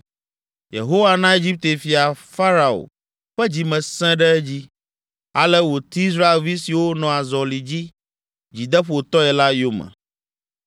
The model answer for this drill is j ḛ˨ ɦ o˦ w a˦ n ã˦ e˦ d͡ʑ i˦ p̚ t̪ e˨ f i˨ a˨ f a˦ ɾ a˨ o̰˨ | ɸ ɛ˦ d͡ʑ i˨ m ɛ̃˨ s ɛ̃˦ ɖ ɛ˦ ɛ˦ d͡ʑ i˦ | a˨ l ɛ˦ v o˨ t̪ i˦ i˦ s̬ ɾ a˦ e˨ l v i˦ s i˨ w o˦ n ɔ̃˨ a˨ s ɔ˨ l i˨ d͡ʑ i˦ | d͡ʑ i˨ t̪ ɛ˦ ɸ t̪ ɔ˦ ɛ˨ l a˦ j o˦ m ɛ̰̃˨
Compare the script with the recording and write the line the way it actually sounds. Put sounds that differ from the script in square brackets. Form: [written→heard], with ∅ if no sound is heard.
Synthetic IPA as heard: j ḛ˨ ɦ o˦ w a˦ n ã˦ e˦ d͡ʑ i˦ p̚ t̪ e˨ f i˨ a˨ f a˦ ɾ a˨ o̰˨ | ɸ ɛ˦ d͡ʑ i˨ m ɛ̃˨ s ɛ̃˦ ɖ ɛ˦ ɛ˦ d͡ʑ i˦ | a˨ l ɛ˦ [v→w] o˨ t̪ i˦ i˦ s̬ ɾ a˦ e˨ l v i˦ s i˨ w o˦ n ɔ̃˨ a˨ [s→z] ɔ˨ l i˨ d͡ʑ i˦ | d͡ʑ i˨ [t̪→d̪] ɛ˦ ɸ t̪ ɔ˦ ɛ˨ l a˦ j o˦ m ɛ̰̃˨